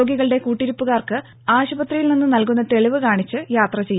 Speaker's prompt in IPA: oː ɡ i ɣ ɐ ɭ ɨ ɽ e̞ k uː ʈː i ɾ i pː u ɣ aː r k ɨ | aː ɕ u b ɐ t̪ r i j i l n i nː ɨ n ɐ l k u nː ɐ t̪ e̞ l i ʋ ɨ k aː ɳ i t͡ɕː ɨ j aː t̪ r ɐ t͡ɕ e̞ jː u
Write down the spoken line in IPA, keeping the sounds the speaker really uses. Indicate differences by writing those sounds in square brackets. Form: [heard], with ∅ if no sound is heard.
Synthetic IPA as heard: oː ɡ i ɣ ɐ ɭ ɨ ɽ e̞ k uː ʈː i ɾ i pː u ɣ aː r k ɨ | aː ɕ u b ɐ t̪ r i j i l n i nː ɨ n ɐ l k u nː ɐ t̪ e̞ [ɭ] i ʋ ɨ k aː ɳ i t͡ɕː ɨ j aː t̪ r ɐ t͡ɕ e̞ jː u